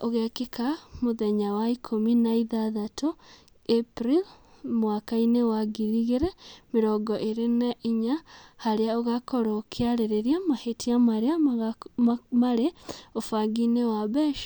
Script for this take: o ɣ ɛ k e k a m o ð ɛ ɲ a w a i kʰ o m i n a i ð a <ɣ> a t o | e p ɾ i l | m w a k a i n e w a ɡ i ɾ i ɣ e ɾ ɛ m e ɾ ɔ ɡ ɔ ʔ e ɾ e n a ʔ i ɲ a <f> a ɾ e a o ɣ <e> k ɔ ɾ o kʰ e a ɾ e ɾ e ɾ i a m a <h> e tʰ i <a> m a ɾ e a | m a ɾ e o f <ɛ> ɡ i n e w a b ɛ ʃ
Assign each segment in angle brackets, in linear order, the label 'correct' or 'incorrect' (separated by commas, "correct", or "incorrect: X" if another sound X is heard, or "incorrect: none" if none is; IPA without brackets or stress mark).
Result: incorrect: ð, incorrect: h, incorrect: a, correct, correct, incorrect: a